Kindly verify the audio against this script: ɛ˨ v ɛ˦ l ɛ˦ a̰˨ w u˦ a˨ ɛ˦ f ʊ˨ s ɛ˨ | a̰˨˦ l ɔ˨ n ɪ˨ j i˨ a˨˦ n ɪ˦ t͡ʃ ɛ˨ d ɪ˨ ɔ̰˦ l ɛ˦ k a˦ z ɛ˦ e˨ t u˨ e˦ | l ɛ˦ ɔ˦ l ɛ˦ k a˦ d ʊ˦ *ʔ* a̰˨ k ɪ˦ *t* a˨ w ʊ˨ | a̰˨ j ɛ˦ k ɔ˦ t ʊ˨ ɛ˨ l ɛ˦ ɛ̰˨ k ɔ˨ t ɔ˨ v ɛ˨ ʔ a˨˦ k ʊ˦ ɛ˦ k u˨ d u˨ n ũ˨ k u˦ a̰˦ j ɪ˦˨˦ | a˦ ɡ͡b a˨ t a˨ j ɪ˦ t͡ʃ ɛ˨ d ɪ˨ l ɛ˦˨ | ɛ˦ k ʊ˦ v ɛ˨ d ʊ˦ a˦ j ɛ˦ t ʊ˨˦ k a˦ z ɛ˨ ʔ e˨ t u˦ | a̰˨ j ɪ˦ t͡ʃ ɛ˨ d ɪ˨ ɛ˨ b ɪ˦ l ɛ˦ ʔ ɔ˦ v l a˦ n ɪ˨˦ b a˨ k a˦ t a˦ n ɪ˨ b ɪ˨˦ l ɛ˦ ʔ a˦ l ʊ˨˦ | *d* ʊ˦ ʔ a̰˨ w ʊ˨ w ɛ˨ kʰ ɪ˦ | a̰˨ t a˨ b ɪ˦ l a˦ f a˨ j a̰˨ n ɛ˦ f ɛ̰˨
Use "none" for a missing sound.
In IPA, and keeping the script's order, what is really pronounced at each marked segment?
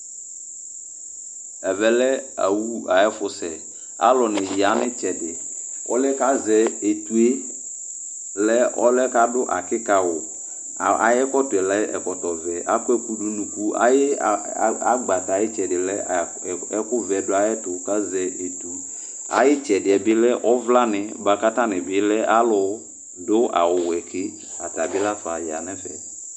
ʔ, k, d

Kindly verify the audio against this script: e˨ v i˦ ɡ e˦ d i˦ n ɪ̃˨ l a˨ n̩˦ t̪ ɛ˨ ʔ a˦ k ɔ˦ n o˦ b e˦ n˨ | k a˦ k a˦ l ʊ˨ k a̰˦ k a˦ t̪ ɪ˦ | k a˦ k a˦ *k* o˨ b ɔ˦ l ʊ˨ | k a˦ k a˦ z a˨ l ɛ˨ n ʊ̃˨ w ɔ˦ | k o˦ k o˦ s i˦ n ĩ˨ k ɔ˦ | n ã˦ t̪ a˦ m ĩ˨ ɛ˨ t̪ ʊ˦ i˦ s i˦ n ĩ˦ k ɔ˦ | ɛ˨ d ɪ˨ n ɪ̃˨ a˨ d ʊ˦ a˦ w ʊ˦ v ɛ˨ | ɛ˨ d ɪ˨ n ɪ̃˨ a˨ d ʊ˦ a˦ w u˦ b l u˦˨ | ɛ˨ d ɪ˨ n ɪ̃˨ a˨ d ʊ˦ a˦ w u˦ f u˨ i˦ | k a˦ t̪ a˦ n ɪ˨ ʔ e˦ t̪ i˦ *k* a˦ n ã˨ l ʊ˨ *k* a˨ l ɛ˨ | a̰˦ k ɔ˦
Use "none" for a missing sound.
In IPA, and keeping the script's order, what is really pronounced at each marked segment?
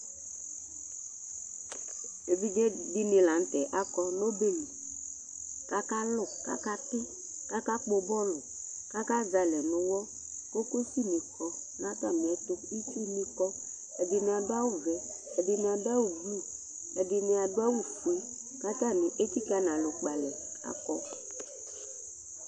k͡p, k, k͡p

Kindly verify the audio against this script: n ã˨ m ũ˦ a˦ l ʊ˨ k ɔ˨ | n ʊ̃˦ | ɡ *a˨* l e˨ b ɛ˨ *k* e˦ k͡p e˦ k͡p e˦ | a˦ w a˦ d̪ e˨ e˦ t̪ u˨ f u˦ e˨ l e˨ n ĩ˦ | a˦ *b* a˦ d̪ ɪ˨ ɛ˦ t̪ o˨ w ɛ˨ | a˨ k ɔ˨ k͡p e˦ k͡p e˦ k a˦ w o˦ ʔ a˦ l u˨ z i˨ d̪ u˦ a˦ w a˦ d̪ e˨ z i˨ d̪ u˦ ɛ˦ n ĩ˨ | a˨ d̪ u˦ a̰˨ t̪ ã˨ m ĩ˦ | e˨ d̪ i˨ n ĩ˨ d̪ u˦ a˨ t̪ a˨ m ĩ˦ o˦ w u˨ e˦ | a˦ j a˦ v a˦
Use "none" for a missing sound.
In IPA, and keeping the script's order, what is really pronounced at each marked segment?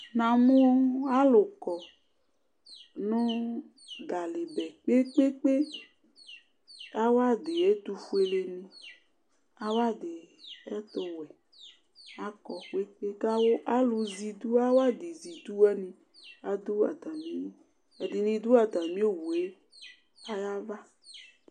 a˨, k͡p, w

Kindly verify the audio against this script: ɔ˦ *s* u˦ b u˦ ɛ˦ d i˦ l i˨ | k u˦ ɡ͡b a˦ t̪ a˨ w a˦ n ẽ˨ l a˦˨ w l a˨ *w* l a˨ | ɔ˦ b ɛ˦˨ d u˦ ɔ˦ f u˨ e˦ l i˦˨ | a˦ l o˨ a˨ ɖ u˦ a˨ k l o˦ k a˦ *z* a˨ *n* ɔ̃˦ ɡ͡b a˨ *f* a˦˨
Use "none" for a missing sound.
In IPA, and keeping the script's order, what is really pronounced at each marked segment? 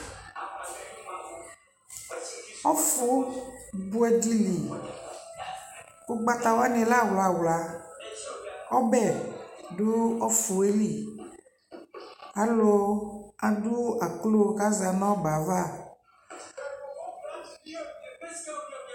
f, w, z, n, v

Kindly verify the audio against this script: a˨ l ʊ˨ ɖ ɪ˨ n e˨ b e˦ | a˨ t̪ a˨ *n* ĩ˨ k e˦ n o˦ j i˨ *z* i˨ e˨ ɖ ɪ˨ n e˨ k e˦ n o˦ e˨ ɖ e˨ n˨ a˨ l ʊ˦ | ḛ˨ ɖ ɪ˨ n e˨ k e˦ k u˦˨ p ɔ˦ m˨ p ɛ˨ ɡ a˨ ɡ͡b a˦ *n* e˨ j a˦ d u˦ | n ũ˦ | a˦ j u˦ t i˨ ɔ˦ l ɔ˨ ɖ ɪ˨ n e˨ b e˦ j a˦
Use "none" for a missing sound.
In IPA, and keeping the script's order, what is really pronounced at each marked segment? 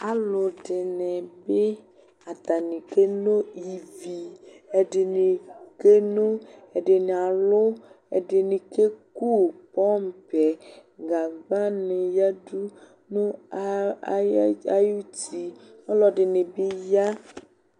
n, v, n

